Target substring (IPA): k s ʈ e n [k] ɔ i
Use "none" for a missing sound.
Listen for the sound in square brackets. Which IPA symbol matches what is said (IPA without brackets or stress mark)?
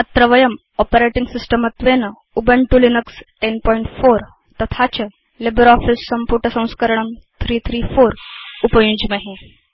p